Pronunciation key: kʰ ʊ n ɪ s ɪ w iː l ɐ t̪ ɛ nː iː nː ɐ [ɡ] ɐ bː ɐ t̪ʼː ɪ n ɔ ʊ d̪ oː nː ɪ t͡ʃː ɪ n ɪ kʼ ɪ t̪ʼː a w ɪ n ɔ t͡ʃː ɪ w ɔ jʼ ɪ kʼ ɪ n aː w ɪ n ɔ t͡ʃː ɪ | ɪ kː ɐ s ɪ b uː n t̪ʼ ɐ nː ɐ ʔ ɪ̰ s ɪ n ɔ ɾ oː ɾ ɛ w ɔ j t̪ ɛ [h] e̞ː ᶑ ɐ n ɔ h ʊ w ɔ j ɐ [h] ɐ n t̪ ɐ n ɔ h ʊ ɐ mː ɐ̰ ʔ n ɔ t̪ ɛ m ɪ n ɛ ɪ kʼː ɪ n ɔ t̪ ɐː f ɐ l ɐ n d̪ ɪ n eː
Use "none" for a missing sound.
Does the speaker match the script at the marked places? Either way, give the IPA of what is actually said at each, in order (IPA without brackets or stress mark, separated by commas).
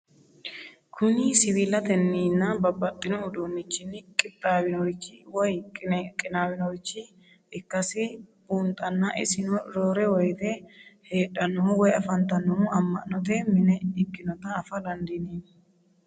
b, h, f